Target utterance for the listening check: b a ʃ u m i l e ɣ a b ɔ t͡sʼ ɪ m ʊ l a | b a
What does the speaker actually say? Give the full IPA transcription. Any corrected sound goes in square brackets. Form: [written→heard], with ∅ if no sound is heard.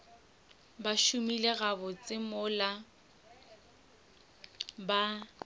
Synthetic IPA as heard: b a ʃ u m i l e ɣ a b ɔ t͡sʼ ɪ m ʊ l a | b a